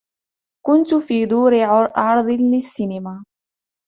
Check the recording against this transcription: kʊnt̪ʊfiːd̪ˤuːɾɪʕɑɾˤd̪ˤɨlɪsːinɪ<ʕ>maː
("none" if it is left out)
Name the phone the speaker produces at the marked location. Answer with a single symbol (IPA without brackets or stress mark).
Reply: none